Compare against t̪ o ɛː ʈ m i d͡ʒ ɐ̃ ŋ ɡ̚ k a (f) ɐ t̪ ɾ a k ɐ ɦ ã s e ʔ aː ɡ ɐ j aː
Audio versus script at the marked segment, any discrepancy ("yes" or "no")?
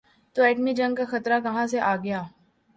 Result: yes